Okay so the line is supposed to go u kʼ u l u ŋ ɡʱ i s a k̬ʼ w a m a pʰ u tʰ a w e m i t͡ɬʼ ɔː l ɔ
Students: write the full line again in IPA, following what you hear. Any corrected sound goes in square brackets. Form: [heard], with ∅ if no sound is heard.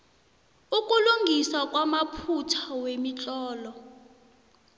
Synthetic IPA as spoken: u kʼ u l u ŋ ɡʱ i s a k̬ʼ w a m a pʰ u tʰ a w e m i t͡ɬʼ ɔː l ɔ

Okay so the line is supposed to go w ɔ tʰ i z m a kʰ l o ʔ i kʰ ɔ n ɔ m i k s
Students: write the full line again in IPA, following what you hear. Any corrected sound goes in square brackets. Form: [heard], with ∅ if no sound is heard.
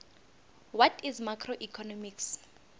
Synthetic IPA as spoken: w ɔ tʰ i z m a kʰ [r] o ʔ i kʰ ɔ n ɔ m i k s

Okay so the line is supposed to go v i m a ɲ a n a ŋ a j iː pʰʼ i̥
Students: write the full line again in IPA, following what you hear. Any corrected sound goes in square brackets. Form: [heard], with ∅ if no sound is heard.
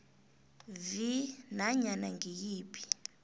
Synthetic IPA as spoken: v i [n] a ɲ a n a ŋ [i] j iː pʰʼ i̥

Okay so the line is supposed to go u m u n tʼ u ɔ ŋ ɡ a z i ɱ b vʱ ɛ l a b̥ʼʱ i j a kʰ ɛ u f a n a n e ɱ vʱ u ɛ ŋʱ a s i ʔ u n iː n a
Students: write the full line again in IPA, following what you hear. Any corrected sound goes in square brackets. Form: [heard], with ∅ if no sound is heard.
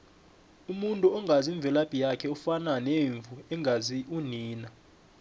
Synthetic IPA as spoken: u m u n tʼ u ɔ ŋ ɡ a z i ɱ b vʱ ɛ l a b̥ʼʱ i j a kʰ ɛ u f a n a n e ɱ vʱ u ɛ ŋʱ a [z] i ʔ u n iː n a

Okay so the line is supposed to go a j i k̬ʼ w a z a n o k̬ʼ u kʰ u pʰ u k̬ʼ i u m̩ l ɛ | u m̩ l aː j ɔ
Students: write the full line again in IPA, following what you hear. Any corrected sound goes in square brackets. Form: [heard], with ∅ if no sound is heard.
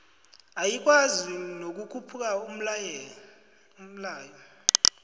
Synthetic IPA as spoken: a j i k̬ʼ w a z [i] n o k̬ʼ u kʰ u pʰ u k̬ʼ [a] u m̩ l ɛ | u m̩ l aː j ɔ

